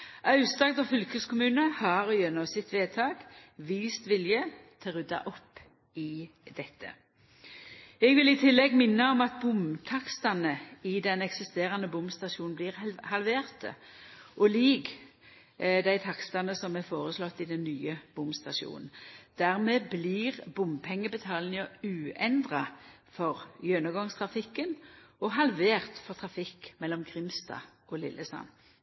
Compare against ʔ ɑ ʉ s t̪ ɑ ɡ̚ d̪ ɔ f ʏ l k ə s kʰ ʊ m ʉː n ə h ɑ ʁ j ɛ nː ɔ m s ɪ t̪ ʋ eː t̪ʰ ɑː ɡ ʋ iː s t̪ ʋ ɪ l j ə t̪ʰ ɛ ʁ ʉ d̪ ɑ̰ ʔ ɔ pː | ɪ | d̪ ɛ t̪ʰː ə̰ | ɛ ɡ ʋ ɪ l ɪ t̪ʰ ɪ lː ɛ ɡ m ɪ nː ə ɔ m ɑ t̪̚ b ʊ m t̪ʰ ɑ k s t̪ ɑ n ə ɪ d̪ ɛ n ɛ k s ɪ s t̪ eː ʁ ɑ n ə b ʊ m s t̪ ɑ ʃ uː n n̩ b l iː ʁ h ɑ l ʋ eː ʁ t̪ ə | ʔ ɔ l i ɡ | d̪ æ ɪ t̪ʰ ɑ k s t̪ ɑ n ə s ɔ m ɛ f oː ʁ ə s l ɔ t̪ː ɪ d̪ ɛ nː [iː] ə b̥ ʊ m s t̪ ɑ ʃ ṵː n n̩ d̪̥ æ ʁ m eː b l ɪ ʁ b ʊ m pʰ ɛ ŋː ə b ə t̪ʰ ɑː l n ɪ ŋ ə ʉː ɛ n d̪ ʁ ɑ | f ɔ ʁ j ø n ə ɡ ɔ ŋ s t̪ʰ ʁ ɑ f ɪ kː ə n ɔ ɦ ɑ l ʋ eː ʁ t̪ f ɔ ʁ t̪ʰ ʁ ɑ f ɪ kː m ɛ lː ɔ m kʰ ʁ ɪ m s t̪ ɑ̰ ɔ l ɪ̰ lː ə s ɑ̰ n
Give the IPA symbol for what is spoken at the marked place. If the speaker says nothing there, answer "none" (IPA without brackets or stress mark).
yː